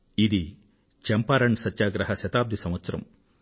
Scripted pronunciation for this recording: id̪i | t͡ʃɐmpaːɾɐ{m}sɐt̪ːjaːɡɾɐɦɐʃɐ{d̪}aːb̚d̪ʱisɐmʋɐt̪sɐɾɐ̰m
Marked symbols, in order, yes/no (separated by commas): no, no